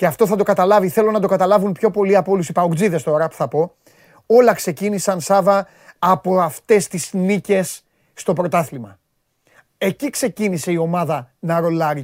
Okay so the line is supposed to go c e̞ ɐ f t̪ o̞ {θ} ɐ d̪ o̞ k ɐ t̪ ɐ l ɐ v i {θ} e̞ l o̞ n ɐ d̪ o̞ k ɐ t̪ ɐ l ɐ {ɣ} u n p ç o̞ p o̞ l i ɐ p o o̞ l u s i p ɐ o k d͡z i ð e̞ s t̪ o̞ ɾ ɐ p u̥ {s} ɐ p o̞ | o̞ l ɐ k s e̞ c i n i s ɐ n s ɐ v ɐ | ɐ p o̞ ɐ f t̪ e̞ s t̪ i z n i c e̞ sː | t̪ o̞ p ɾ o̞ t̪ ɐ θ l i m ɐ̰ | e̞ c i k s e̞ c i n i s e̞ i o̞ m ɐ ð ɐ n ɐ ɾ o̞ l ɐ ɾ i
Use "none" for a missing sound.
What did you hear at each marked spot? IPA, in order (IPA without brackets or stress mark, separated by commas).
θ, θ, v, θ